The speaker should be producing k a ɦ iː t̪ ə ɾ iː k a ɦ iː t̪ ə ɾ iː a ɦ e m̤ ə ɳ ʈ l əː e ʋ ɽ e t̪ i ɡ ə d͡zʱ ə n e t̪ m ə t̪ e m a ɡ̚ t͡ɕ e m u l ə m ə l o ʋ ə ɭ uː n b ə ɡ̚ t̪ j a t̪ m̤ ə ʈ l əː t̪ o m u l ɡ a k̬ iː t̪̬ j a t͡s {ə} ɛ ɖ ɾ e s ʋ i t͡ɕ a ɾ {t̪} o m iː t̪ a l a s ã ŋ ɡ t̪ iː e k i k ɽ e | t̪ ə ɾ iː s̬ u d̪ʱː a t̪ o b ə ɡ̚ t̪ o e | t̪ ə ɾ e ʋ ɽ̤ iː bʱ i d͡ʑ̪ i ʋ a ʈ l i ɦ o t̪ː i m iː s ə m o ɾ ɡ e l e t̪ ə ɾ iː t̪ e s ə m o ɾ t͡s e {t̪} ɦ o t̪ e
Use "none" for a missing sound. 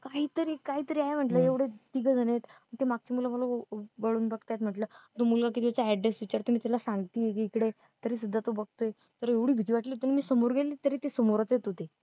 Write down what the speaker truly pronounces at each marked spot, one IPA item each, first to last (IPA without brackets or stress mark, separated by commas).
a, t̪, t̪